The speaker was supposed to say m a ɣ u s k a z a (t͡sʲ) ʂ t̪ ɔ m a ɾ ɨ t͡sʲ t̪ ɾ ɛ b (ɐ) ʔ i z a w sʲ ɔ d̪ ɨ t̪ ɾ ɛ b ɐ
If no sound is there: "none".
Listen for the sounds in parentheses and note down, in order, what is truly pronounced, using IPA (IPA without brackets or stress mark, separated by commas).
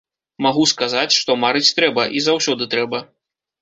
t͡sʲ, ɐ